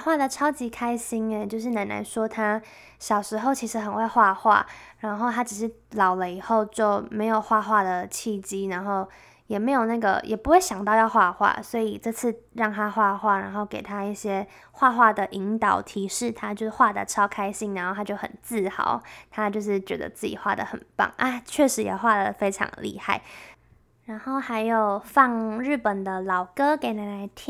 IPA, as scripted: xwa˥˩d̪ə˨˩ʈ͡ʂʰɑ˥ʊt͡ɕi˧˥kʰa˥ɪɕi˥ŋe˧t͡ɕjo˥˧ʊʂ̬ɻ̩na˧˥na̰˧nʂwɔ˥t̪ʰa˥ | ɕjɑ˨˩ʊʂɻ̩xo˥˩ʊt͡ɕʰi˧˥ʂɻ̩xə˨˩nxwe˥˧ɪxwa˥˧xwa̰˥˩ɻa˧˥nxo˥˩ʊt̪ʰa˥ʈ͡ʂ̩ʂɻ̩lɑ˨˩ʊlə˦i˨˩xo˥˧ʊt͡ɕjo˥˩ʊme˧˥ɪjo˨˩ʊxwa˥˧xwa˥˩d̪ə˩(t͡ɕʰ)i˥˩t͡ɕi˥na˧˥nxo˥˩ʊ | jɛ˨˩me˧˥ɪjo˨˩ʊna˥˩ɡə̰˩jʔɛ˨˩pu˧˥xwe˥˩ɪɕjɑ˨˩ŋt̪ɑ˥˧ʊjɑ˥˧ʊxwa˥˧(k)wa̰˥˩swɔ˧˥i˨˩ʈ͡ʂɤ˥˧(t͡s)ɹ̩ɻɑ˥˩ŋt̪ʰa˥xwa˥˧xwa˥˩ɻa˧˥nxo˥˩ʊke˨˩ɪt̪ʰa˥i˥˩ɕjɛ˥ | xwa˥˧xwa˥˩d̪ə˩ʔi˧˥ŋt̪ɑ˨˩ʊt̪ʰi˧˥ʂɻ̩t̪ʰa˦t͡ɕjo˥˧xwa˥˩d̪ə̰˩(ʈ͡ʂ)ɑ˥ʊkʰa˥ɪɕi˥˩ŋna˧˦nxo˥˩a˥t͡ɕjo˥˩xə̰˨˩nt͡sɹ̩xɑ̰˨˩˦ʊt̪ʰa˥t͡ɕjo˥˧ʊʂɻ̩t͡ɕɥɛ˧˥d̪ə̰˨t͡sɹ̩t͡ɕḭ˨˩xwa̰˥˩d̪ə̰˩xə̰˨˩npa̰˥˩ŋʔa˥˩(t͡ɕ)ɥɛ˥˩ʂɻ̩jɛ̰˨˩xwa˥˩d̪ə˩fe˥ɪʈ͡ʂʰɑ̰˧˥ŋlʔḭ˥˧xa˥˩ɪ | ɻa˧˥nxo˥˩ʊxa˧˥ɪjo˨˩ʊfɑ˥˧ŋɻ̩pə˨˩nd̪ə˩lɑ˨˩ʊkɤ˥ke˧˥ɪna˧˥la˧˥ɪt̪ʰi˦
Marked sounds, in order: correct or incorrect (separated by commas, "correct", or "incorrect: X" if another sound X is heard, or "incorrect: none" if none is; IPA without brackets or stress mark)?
correct, incorrect: x, incorrect: t͡sʰ, incorrect: ʈ͡ʂʰ, incorrect: t͡ɕʰ